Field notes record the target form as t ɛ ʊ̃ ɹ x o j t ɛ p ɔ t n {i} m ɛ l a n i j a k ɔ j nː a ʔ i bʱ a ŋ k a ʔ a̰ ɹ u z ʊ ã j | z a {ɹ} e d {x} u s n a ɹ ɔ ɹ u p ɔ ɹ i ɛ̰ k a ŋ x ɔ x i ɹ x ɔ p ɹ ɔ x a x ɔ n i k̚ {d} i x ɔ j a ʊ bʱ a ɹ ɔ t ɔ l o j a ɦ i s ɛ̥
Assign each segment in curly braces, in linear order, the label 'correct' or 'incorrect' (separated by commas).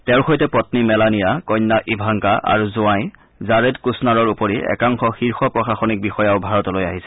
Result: correct, correct, incorrect, incorrect